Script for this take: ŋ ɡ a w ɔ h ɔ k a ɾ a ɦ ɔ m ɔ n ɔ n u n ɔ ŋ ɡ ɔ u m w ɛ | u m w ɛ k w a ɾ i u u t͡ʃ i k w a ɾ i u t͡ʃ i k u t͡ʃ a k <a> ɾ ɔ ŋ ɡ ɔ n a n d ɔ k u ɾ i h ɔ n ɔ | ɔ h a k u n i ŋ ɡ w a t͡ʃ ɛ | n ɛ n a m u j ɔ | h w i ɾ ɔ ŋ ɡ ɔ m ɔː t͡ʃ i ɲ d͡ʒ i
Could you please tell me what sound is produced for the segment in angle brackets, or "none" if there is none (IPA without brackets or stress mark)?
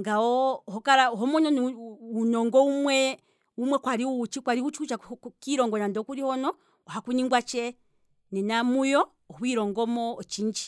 i